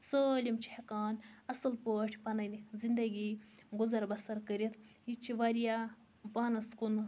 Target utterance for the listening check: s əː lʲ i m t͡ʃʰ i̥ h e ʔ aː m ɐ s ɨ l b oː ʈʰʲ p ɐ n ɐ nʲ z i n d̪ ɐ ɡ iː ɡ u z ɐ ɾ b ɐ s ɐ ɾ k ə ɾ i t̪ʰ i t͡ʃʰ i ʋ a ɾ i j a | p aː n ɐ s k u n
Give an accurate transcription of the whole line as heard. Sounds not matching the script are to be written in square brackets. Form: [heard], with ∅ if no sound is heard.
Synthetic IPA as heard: s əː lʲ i m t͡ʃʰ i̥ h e [k] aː [n] ɐ s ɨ l [p] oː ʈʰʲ p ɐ n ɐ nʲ z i n d̪ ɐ ɡ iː ɡ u z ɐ ɾ b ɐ s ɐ ɾ k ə ɾ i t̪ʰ i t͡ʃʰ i ʋ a ɾ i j a | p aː n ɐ s k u n